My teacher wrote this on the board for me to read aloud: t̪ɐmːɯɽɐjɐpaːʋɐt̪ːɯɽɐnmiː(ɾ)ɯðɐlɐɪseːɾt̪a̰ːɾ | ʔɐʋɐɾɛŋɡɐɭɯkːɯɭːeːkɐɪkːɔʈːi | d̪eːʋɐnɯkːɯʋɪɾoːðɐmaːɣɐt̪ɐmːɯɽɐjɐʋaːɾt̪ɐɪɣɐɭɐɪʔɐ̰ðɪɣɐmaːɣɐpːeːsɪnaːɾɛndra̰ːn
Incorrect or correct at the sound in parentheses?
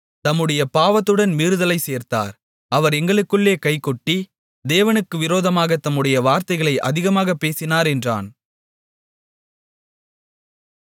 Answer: correct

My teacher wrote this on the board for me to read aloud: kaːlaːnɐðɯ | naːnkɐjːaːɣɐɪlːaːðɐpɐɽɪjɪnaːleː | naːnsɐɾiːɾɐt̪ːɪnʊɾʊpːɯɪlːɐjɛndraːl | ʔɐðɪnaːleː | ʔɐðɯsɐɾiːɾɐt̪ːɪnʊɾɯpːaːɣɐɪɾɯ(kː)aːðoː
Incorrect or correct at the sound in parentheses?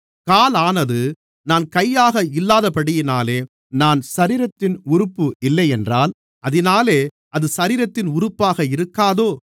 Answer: correct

